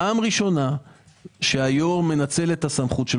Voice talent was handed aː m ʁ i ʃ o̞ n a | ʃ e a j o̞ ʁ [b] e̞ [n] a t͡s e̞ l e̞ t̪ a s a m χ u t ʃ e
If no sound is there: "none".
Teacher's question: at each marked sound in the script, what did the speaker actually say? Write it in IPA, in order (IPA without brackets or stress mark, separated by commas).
m, n